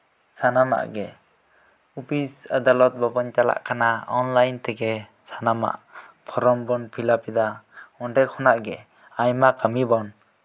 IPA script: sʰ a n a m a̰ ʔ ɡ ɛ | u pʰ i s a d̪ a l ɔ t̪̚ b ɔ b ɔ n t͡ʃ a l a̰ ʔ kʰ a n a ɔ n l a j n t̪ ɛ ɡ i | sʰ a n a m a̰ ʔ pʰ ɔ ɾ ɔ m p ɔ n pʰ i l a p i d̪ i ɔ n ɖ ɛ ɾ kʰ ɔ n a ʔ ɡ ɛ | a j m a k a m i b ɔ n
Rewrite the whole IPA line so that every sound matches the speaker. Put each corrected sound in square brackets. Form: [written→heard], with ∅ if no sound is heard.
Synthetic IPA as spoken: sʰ a n a m a̰ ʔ ɡ ɛ | u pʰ i s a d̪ a l ɔ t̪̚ b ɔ b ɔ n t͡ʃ a l a̰ ʔ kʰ a n a ɔ n l a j n t̪ ɛ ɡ [i→ɛ] | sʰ a n a m a̰ ʔ pʰ ɔ ɾ ɔ m [p→b] ɔ n pʰ i l a p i d̪ [i→a] ɔ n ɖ ɛ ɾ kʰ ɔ n a ʔ ɡ ɛ | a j m a k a m i b ɔ n

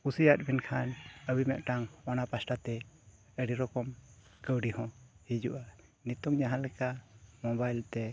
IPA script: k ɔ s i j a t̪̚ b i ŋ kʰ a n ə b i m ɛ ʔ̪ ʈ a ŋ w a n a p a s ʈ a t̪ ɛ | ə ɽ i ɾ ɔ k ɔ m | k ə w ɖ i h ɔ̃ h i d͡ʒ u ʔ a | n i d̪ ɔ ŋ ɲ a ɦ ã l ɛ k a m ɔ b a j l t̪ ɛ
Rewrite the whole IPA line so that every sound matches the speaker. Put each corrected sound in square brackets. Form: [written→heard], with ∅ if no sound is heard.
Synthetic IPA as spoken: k [ɔ→u] s i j a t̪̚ b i [ŋ→n] kʰ a n ə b i m ɛ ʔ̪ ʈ a ŋ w a n a p a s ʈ a t̪ ɛ | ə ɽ i ɾ ɔ k ɔ m | k ə w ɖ i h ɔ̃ h i d͡ʒ u ʔ a | n i [d̪→t̪] ɔ ŋ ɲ a ɦ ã l ɛ k a m ɔ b a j l t̪ ɛ

